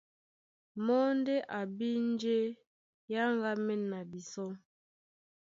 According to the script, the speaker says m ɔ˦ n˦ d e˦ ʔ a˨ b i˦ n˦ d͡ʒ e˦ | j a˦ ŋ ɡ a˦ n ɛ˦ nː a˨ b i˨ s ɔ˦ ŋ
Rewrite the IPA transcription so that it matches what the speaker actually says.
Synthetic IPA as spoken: m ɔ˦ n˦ d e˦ ʔ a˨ b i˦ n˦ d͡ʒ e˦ | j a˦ ŋ ɡ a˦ m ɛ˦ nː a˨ b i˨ s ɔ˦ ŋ